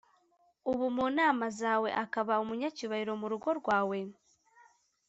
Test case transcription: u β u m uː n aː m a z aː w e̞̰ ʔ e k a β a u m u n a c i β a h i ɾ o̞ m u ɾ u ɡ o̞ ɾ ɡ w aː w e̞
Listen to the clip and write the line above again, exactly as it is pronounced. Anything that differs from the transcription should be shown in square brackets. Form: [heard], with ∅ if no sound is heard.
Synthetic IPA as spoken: u β u m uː n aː m a z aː w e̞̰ ʔ [a] k a β a u m u [ɲ] a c i β a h i ɾ o̞ m u ɾ u ɡ o̞ ɾ ɡ w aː w e̞